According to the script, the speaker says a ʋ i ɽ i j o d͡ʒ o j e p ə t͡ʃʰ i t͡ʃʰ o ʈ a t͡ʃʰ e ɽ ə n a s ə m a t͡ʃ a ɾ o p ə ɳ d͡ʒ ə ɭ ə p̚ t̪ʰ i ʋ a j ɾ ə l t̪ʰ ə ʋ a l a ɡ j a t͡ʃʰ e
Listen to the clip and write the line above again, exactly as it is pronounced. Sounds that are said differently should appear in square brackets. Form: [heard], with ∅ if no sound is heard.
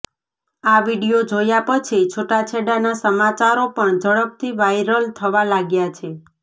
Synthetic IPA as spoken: a ʋ i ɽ i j o d͡ʒ o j [a] p ə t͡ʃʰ i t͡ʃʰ o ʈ a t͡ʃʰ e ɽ [a] n a s ə m a t͡ʃ a ɾ o p ə ɳ d͡ʒ ə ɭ ə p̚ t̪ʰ i ʋ a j ɾ ə l t̪ʰ ə ʋ a l a ɡ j a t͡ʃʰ e

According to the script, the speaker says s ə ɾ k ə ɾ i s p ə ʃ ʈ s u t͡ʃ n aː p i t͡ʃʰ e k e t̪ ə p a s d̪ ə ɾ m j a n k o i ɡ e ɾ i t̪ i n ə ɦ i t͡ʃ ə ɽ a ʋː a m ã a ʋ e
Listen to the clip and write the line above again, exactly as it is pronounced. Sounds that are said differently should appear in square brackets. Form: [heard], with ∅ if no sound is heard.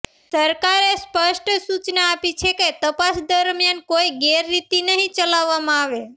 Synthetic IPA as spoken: s ə ɾ k [a] ɾ [e] s p ə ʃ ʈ s u t͡ʃ n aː p i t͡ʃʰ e k e t̪ ə p a s d̪ ə ɾ m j a n k o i ɡ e [ɾː] i t̪ i n ə ɦ [ĩ] t͡ʃ ə [l] a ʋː a m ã a ʋ e

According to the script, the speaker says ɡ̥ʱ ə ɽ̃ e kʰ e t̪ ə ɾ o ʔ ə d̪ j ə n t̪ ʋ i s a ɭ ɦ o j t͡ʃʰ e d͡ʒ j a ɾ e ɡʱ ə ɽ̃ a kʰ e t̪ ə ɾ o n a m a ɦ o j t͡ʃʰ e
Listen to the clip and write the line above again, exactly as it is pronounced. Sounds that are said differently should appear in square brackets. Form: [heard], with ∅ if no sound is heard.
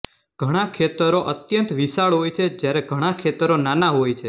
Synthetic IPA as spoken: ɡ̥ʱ ə ɽ̃ [a] kʰ e t̪ ə ɾ o ʔ ə [t̪] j ə n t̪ ʋ i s a ɭ ɦ o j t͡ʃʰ e d͡ʒ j a ɾ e ɡʱ ə ɽ̃ a kʰ e t̪ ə ɾ o n a [n] a ɦ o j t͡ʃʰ e

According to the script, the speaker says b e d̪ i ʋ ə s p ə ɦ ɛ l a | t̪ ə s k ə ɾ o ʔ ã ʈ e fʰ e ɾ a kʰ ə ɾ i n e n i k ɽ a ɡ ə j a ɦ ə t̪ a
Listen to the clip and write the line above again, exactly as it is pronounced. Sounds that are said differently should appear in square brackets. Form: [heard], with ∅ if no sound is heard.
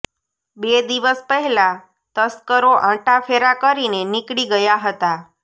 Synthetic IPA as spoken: b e d̪ i ʋ ə s p ə ɦ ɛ l a | t̪ ə s k ə ɾ o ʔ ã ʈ [a] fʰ e ɾ a [k] ə ɾ i n e n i k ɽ [i] ɡ ə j a ɦ ə t̪ a

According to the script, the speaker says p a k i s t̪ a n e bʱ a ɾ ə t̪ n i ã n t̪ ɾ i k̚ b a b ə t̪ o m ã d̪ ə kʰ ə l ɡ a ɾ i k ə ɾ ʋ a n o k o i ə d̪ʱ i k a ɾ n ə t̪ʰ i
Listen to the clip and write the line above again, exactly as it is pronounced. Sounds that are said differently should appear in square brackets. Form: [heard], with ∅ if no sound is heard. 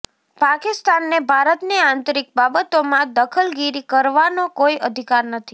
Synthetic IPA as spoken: p a k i s t̪ a [nː] e bʱ a ɾ ə t̪ n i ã n t̪ ɾ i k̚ b a b ə t̪ o m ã d̪ ə kʰ ə l ɡ [i] ɾ i k ə ɾ ʋ a n o k o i ə d̪ʱ i k a ɾ n ə t̪ʰ i

